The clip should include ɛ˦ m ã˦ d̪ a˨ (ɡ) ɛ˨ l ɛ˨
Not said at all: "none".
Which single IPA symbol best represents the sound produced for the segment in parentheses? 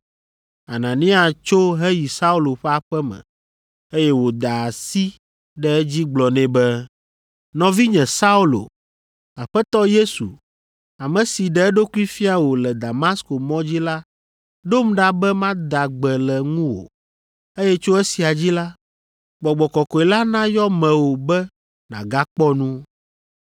ɡ͡b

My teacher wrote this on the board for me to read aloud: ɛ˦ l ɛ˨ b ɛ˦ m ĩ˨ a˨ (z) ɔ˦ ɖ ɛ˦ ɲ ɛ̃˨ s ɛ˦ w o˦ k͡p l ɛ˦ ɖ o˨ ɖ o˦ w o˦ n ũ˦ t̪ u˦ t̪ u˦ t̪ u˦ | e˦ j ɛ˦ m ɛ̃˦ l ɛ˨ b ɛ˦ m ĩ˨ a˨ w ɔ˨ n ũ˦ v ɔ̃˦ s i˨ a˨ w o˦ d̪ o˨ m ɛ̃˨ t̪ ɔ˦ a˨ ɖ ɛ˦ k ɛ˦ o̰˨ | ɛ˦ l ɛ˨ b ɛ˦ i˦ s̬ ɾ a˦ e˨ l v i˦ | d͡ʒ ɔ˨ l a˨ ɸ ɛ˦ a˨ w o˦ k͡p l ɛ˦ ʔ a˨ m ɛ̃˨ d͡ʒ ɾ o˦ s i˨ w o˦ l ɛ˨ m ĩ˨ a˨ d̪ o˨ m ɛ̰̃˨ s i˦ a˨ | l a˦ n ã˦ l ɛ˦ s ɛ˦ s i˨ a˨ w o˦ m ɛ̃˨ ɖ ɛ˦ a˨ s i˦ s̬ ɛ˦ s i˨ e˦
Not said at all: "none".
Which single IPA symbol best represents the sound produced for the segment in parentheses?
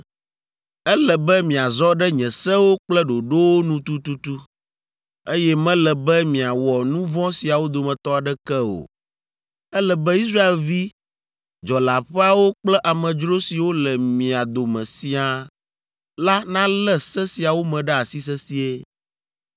z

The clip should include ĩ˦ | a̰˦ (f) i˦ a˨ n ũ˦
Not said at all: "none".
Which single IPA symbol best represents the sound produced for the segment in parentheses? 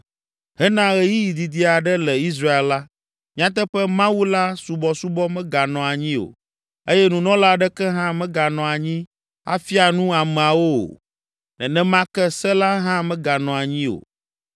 f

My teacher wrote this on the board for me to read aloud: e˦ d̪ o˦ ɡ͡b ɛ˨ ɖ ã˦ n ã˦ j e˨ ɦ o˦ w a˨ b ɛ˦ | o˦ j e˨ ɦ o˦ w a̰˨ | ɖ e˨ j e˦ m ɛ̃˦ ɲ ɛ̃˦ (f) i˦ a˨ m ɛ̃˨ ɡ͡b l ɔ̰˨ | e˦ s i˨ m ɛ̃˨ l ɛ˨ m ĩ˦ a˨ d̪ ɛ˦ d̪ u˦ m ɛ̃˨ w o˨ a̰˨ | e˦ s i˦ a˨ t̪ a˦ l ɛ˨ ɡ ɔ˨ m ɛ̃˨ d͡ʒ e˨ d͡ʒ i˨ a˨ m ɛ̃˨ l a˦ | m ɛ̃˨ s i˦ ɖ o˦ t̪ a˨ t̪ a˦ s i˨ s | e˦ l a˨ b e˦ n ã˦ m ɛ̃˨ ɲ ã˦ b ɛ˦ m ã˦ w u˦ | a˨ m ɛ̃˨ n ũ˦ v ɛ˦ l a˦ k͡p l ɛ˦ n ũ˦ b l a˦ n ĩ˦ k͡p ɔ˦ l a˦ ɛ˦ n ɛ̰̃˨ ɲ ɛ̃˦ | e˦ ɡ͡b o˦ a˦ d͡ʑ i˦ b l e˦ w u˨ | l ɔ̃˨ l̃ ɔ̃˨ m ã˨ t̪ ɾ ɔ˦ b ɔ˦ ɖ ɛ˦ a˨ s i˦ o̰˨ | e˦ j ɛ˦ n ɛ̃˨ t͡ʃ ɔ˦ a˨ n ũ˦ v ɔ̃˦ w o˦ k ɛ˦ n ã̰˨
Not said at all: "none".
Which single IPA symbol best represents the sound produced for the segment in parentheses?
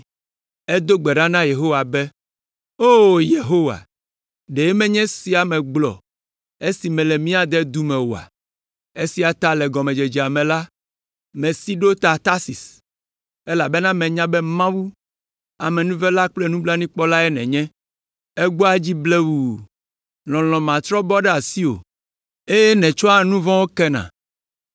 s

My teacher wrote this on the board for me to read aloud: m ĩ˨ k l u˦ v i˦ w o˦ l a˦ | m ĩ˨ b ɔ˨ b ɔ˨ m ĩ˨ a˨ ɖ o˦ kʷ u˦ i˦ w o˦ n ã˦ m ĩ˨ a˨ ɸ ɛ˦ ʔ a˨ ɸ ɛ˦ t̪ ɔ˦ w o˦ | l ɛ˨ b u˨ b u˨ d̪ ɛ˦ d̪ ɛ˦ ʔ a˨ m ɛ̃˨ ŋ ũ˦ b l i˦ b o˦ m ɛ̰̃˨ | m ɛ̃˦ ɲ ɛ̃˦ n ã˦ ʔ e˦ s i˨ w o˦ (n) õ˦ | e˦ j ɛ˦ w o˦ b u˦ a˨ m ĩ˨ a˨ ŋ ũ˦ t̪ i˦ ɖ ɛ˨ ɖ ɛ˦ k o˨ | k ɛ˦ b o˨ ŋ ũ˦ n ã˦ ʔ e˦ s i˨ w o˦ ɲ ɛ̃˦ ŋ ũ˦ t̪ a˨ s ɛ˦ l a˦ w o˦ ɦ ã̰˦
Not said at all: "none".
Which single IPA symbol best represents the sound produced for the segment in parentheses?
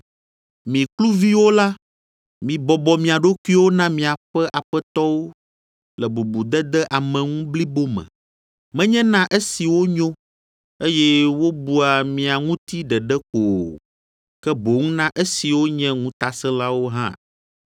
ɲ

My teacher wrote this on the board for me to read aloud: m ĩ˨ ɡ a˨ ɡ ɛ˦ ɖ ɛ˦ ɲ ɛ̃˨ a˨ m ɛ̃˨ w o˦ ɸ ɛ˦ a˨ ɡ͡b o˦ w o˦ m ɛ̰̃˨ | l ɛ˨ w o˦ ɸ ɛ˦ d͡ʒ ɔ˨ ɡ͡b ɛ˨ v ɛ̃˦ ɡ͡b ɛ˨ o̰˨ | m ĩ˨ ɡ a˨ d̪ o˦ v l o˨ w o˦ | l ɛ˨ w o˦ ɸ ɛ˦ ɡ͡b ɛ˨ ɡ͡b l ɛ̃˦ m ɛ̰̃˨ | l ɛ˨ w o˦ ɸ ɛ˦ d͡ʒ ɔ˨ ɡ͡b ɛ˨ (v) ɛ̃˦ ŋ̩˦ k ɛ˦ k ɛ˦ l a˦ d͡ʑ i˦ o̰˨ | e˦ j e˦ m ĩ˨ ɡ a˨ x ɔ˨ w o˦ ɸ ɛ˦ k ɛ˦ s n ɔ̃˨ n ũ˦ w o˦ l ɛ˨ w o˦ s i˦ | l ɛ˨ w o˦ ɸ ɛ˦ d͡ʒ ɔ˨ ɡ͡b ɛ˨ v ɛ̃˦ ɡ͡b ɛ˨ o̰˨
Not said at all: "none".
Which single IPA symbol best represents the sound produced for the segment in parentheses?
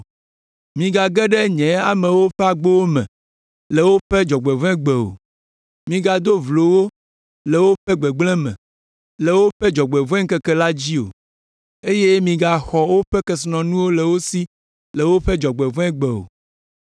v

